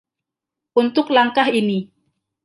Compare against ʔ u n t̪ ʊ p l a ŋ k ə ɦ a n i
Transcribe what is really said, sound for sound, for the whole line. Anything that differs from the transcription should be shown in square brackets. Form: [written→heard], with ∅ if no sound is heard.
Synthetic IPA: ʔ u n t̪ ʊ [p→k] l a ŋ k [ə→a] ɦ [a→i] n i